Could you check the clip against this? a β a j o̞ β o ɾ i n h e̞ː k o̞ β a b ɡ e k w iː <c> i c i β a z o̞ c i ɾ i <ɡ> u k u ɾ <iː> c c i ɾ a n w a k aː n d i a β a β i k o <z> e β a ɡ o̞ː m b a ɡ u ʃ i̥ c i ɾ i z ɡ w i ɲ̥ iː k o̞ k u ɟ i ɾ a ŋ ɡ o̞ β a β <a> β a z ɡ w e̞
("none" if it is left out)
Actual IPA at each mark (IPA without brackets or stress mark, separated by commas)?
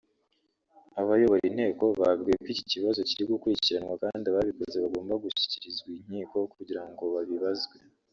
c, ɡ, i, z, i